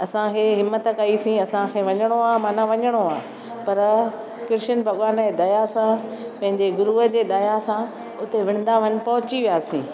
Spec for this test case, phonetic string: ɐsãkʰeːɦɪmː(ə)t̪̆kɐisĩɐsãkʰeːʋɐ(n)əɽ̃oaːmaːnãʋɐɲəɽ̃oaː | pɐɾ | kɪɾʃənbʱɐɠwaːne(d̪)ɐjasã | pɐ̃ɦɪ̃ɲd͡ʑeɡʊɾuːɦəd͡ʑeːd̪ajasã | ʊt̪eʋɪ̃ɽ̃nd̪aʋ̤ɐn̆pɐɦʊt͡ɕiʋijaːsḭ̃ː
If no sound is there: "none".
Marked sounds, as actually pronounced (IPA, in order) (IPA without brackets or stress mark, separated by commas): ə, ɲ, d̪